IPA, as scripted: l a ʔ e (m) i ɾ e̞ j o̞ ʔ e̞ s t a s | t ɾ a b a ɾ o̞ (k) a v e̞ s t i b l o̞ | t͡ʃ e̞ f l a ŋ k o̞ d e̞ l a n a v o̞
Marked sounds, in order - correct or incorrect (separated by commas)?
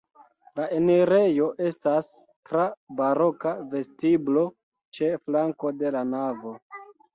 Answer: incorrect, correct